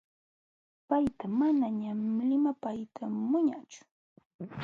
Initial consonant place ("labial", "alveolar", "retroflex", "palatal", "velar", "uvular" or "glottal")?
labial